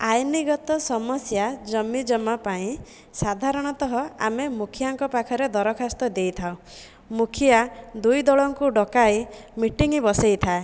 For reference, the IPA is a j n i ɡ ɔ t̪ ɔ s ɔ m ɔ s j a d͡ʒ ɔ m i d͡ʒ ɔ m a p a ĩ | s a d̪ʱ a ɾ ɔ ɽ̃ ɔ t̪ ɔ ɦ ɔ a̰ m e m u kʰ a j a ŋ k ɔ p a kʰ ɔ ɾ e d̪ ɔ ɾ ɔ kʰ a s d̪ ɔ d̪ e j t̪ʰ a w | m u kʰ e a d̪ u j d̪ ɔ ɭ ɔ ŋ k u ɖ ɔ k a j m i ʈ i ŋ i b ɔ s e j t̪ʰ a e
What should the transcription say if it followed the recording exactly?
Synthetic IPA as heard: a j n i ɡ ɔ t̪ ɔ s ɔ m ɔ s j a d͡ʒ ɔ m i d͡ʒ ɔ m a p a ĩ | s a d̪ʱ a ɾ ɔ ɽ̃ ɔ t̪ ɔ ɦ ɔ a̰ m e m u kʰ i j a ŋ k ɔ p a kʰ ɔ ɾ e d̪ ɔ ɾ ɔ kʰ a s t̪ ɔ d̪ e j t̪ʰ a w | m u kʰ i a d̪ u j d̪ ɔ ɭ ɔ ŋ k u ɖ ɔ k a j m i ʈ i ŋ i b ɔ s e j t̪ʰ a e

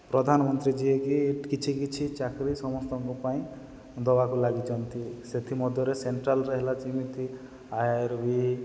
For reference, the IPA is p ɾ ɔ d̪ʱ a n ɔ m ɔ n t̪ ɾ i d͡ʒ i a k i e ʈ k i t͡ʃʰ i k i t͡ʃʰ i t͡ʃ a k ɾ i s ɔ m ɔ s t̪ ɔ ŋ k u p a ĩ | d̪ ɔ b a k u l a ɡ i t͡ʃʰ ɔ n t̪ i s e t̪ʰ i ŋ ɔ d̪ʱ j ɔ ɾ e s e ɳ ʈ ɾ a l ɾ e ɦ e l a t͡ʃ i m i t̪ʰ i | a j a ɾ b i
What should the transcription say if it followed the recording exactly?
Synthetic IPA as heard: p ɾ ɔ d̪ʱ a n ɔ m ɔ n t̪ ɾ i d͡ʒ i e k i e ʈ k i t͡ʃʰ i k i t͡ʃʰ i t͡ʃ a k ɾ i s ɔ m ɔ s t̪ ɔ ŋ k u p a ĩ | d̪ ɔ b a k u l a ɡ i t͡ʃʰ ɔ n t̪ i s e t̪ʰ i m ɔ d̪ʱ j ɔ ɾ e s e ɳ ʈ ɾ a l ɾ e ɦ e l a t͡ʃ i m i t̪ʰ i | a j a ɾ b i

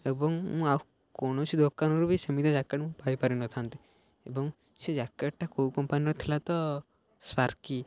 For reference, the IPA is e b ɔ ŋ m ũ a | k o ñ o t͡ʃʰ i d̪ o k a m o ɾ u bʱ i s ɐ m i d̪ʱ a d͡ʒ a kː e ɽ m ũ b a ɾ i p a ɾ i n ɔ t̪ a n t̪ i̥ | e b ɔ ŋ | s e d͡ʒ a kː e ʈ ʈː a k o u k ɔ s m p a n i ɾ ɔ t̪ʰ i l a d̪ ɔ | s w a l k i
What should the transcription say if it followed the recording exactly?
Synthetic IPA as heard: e b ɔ ŋ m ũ a | k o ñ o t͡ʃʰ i d̪ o k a n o ɾ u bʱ i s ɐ m i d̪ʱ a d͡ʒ a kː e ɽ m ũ p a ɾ i p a ɾ i n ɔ t̪ʰ a n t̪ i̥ | e b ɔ ŋ | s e d͡ʒ a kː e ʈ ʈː a k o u k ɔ m p a n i ɾ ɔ t̪ʰ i l a t̪ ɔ | s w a ɾ k i

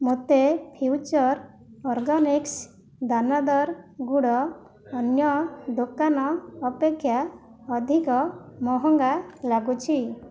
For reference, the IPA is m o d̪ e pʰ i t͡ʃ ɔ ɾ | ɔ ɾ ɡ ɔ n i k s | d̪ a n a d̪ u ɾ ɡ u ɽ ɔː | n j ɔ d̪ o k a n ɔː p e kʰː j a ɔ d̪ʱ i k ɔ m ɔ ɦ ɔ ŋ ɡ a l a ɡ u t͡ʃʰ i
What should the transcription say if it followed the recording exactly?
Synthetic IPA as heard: m o t̪ e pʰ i t͡ʃ ɔ ɾ | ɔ ɾ ɡ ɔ n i k s | d̪ a n a d̪ ɔ ɾ ɡ u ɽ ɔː | n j ɔ d̪ o k a n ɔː p e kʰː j a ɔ d̪ʱ i k ɔ m ɔ ɦ ɔ ŋ ɡ a l a ɡ u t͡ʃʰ i

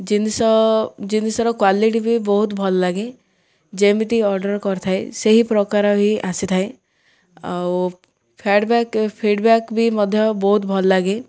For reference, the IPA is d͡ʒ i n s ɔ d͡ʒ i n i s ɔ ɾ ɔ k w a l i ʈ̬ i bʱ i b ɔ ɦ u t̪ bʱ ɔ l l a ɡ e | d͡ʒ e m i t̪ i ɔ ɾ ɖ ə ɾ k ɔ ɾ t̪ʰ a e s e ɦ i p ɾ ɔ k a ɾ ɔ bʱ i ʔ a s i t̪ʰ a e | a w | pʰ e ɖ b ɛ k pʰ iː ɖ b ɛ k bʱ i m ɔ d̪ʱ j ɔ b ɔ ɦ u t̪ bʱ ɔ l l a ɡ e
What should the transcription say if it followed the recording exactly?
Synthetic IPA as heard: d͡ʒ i n s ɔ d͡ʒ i n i s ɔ ɾ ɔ k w a l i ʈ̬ i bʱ i b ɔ ɦ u t̪ bʱ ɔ l l a ɡ e | d͡ʒ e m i t̪ i ɔ ɾ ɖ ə ɾ k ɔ ɾ t̪ʰ a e s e ɦ i p ɾ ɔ k a ɾ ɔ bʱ i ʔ a s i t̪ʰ a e | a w | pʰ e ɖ b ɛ k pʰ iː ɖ b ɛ k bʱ i m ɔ d̪ʱ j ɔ b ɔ ɦ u t̪ bʱ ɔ l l a ɡ e

